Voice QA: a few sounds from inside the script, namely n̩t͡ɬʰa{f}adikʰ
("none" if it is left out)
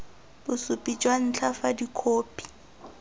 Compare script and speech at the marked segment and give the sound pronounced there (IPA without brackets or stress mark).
f